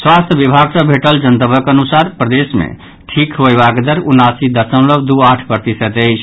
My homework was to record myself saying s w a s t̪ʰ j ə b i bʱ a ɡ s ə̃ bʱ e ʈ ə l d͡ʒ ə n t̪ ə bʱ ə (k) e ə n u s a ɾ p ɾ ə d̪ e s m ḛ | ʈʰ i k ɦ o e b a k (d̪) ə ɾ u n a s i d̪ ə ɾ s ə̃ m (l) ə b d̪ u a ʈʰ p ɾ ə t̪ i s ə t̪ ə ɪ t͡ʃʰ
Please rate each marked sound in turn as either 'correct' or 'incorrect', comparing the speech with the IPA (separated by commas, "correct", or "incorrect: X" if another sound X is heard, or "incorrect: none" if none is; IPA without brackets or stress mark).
correct, correct, correct